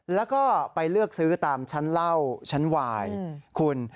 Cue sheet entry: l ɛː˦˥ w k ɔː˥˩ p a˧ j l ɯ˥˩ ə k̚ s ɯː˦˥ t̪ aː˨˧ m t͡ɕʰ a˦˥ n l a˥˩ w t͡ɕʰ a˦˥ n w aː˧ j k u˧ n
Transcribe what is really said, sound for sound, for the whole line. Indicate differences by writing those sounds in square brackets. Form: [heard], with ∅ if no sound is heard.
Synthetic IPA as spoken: l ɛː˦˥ w k ɔː˥˩ p a˧ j l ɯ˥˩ ə k̚ s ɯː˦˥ t̪ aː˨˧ m t͡ɕʰ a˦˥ n l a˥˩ w t͡ɕʰ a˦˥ n w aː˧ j [kʰ] u˧ n